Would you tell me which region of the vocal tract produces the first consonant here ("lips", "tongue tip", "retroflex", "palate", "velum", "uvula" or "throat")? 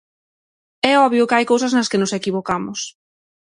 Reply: lips